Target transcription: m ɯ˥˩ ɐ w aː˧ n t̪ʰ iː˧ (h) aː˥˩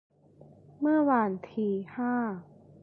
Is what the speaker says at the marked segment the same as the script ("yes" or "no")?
yes